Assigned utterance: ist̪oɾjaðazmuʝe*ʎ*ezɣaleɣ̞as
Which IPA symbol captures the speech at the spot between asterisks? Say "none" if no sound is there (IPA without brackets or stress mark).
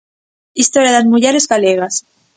ɾ